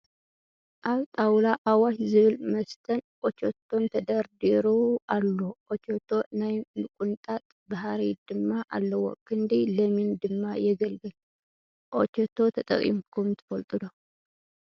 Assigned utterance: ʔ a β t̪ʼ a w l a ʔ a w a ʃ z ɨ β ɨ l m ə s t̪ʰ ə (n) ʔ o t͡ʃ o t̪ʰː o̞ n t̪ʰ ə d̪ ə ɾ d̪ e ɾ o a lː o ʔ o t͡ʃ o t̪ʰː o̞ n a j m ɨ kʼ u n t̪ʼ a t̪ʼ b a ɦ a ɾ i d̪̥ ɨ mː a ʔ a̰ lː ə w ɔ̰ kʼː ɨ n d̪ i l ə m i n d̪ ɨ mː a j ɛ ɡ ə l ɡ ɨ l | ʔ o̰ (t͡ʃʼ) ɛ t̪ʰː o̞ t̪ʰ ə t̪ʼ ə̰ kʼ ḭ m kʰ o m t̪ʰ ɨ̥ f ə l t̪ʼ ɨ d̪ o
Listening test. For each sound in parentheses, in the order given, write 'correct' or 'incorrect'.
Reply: correct, incorrect: t͡ʃ

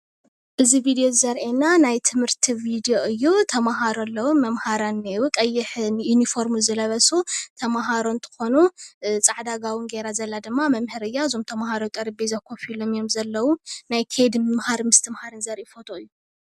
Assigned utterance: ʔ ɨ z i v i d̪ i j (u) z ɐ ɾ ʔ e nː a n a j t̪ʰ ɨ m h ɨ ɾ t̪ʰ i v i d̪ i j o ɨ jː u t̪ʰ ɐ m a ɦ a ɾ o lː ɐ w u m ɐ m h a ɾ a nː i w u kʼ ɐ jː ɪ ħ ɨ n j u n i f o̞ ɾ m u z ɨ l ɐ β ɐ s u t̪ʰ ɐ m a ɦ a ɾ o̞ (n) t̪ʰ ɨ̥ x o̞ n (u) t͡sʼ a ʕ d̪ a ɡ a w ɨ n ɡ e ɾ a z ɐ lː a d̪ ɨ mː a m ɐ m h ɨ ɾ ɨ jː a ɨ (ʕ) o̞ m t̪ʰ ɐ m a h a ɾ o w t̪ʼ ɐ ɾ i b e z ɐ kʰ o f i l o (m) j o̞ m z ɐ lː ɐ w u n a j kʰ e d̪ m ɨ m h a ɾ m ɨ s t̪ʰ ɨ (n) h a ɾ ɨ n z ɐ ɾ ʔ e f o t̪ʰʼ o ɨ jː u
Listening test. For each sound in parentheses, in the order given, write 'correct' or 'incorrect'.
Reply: incorrect: o, correct, correct, incorrect: z, correct, incorrect: m

